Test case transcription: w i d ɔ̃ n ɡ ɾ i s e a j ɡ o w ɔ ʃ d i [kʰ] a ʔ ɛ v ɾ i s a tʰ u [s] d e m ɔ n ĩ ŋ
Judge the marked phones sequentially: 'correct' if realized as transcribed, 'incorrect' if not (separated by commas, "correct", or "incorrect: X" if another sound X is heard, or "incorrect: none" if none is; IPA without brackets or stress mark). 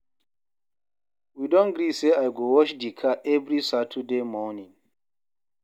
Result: correct, incorrect: none